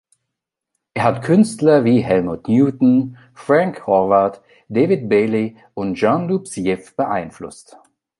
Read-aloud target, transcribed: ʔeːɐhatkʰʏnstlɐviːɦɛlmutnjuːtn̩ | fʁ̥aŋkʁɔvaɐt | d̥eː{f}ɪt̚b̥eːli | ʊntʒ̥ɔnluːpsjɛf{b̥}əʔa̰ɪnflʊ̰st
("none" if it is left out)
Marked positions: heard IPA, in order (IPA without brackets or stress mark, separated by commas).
v, b̥